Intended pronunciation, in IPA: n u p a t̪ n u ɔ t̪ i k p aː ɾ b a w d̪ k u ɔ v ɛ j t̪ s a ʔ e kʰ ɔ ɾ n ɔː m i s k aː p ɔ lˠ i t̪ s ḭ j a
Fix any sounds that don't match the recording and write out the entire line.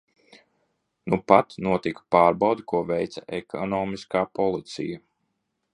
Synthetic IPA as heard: n u p a t̪ n u ɔ t̪ i k p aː ɾ b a w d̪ k u ɔ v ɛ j t̪ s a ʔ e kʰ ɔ n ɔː m i s k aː p ɔ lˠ i t̪ s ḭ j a